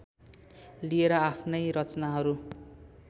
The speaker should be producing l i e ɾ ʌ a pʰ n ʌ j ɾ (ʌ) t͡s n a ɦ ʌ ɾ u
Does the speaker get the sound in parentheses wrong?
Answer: no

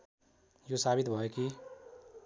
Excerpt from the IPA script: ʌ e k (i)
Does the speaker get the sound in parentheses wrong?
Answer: no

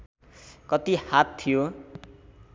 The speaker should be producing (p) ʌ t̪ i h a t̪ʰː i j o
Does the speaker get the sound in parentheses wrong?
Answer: yes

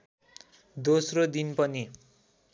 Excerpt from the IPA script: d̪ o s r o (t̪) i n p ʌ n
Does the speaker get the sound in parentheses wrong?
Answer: yes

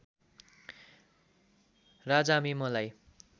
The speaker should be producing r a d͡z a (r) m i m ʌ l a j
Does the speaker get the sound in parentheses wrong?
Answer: yes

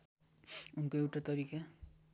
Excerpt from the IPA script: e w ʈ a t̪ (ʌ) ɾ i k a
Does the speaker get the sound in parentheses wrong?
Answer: no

